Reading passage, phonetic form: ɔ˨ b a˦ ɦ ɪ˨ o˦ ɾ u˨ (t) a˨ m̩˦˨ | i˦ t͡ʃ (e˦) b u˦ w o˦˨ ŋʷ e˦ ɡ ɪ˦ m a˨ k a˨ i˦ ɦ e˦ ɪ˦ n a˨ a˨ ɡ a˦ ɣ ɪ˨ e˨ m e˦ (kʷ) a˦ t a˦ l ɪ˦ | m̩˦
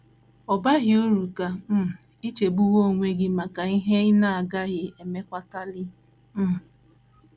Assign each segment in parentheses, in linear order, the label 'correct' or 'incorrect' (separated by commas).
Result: incorrect, incorrect, correct